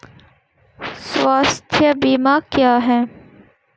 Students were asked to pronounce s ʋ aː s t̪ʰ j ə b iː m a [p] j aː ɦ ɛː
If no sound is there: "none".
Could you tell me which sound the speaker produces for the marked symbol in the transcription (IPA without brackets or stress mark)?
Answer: k